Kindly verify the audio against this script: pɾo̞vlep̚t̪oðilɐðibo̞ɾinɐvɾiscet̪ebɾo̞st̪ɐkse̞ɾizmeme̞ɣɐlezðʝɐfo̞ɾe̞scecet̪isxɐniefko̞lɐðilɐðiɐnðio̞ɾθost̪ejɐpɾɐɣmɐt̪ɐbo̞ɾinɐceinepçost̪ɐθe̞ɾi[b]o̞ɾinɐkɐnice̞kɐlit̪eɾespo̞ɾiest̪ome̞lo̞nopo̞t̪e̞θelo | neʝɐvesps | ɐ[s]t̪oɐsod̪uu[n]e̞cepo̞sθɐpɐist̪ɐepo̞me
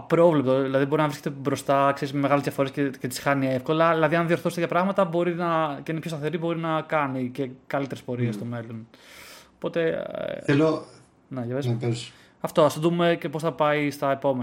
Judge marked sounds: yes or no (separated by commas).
yes, no, no